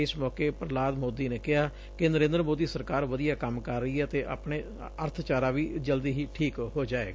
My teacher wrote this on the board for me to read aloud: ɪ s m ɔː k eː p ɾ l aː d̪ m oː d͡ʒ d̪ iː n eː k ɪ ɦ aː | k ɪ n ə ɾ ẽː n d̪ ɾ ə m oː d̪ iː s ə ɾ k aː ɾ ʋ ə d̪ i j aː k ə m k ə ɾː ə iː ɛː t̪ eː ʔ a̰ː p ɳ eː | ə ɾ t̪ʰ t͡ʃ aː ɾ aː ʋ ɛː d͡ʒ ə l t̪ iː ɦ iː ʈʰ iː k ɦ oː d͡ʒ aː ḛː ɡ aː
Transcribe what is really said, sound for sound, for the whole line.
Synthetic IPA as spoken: ɪ s m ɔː k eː p ɾ l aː d̪ m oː d̪ iː n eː k ɪ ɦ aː | k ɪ n ə ɾ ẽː n d̪ ɾ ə m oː d̪ iː s ə ɾ k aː ɾ ʋ ə d̪ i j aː k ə m k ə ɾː ə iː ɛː t̪ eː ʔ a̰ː p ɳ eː | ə ɾ t̪ʰ t͡ʃ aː ɾ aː ʋ iː d͡ʒ ə l d̪ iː ɦ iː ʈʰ iː k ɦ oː d͡ʒ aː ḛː ɡ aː